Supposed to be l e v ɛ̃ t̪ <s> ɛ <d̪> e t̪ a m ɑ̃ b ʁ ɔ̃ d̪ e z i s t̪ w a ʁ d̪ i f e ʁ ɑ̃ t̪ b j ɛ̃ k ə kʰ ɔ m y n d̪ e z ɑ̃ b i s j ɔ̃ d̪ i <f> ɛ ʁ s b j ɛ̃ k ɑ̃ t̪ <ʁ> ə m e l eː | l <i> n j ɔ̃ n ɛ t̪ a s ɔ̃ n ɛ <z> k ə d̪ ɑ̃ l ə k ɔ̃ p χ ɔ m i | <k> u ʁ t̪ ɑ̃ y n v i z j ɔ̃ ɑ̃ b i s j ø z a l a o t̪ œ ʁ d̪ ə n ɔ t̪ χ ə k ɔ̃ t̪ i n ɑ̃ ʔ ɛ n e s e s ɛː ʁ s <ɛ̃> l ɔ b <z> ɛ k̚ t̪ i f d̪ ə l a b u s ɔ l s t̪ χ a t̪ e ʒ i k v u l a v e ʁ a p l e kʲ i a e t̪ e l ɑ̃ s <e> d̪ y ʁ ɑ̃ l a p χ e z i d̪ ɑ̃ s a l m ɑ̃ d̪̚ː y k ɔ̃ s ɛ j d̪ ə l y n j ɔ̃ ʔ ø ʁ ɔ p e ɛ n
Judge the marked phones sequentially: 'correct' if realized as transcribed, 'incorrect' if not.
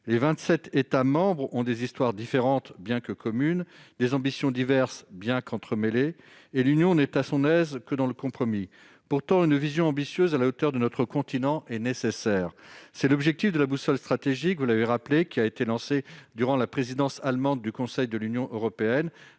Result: correct, incorrect, incorrect, incorrect, incorrect, correct, incorrect, incorrect, incorrect, correct

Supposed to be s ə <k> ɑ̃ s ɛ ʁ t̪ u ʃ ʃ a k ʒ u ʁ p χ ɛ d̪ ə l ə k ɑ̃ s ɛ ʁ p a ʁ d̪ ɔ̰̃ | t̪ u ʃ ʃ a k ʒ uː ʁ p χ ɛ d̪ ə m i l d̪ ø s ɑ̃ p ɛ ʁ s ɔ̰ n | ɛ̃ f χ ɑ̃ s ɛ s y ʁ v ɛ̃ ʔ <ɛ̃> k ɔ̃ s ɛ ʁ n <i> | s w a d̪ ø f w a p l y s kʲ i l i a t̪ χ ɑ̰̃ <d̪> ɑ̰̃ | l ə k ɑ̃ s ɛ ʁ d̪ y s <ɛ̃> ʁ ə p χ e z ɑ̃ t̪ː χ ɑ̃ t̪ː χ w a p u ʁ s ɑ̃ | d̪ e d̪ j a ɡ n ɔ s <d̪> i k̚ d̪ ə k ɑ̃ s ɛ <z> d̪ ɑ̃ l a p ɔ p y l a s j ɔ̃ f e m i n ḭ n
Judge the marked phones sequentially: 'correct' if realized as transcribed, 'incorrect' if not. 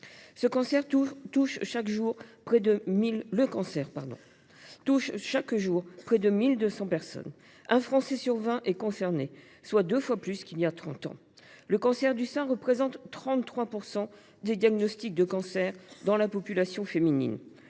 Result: correct, incorrect, incorrect, incorrect, correct, incorrect, incorrect

